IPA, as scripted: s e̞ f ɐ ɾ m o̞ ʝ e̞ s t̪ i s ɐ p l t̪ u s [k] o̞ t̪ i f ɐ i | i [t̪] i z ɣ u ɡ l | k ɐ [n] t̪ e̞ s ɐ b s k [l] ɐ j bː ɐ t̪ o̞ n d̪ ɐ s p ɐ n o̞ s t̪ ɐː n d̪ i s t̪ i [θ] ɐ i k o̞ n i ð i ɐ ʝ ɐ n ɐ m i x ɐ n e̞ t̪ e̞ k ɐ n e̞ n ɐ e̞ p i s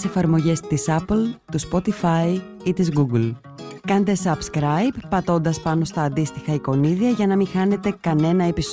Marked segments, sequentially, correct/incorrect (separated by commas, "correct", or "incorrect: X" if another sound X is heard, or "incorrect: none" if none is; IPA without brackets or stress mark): incorrect: p, correct, correct, incorrect: ɾ, incorrect: x